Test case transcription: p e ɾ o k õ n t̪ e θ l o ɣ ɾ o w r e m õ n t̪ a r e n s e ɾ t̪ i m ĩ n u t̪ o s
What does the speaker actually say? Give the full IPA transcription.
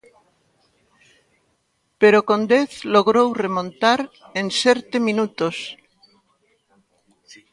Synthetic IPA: p e ɾ o k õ n d̪ e θ l o ɣ ɾ o w r e m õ n t̪ a ɾ e n s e ɾ t̪ e m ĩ n u t̪ o s